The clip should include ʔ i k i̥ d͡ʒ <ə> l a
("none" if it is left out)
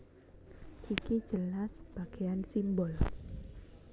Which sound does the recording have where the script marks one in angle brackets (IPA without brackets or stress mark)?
ə